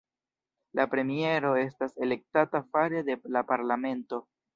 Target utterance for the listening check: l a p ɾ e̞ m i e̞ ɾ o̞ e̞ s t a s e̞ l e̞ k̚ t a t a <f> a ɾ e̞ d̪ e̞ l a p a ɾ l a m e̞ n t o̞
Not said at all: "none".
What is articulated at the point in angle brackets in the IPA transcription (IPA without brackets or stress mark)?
f